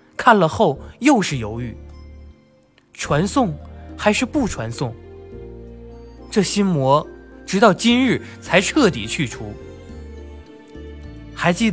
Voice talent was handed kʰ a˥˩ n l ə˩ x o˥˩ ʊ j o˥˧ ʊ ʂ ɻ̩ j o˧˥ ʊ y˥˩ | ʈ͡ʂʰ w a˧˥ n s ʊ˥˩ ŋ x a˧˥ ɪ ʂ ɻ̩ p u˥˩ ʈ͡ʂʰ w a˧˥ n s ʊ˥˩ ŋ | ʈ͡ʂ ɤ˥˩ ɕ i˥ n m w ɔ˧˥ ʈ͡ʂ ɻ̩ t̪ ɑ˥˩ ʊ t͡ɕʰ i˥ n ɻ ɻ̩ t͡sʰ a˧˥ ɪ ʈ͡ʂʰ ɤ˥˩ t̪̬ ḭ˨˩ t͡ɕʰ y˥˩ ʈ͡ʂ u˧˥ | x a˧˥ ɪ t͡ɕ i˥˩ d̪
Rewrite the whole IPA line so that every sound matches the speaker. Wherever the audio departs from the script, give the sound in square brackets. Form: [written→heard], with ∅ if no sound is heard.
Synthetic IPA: kʰ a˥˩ n l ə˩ x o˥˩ ʊ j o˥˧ ʊ ʂ ɻ̩ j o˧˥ ʊ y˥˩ | ʈ͡ʂʰ w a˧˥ n s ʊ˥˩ ŋ x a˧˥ ɪ ʂ ɻ̩ p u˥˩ ʈ͡ʂʰ w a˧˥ n s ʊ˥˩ ŋ | ʈ͡ʂ ɤ˥˩ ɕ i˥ n m w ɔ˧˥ ʈ͡ʂ ɻ̩ t̪ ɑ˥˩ ʊ [t͡ɕʰ→t͡ɕ] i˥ n ɻ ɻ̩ t͡sʰ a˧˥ ɪ ʈ͡ʂʰ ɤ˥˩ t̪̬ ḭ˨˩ t͡ɕʰ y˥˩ [ʈ͡ʂ→ʈ͡ʂʰ] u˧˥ | x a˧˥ ɪ t͡ɕ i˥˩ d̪